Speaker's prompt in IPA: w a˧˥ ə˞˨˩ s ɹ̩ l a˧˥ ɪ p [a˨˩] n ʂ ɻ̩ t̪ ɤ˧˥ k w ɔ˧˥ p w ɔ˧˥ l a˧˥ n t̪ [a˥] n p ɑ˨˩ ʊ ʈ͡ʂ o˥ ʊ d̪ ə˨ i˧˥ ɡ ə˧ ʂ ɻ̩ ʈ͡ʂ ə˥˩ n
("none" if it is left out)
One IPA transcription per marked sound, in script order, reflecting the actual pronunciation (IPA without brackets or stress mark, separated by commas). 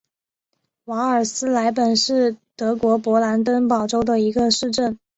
ə˨˩, ə˥